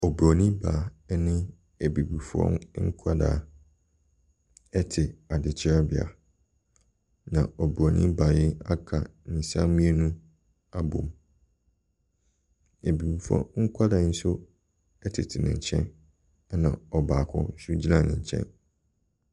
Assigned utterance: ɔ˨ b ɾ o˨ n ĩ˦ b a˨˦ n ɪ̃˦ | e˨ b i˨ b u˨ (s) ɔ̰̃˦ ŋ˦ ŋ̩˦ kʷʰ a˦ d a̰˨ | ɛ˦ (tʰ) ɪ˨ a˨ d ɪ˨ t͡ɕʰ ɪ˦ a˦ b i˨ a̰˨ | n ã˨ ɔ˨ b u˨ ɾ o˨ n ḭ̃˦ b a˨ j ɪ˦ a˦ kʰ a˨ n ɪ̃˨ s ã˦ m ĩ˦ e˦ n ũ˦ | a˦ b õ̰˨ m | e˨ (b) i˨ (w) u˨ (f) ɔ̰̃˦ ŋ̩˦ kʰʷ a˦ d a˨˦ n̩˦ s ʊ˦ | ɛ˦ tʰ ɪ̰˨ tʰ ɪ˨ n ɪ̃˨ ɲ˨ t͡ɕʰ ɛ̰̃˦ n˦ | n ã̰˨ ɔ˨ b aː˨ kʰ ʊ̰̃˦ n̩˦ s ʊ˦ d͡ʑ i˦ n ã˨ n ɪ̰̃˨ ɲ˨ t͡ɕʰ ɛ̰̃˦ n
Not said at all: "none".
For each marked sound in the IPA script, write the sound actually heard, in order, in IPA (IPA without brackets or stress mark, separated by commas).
f, tʰ, b, b, f